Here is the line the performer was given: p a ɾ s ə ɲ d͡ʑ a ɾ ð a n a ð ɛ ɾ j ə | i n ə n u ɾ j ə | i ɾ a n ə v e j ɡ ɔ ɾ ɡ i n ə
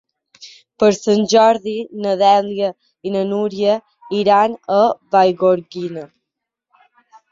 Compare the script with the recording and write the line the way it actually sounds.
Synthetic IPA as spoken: p ə ɾ s ə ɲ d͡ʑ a ɾ ð i n ə ð ɛ l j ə | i n ə n u ɾ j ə | i ɾ a n ə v a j ɡ ɔ ɾ ɡ i n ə